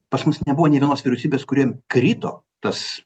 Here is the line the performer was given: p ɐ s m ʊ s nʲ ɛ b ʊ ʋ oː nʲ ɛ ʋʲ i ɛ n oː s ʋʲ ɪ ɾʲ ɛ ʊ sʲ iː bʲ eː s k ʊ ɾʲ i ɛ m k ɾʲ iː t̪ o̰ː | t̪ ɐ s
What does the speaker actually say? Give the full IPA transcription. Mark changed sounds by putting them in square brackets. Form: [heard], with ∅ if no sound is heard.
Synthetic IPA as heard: p ɐ s m ʊ s nʲ ɛ b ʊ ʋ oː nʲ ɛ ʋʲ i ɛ n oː s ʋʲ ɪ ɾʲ ɛ ʊ sʲ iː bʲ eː s k ʊ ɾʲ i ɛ m k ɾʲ iː t̪ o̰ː | t̪ ɐ s